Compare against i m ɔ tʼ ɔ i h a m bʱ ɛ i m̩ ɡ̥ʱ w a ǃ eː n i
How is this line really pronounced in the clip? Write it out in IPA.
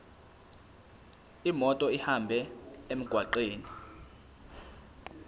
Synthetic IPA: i m ɔ tʼ ɔ i h a m bʱ ɛ e m̩ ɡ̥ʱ w a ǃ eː n i